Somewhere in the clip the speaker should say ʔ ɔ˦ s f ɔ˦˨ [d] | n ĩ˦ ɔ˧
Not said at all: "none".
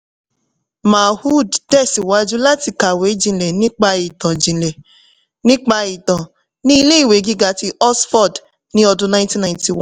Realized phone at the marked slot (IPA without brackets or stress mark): d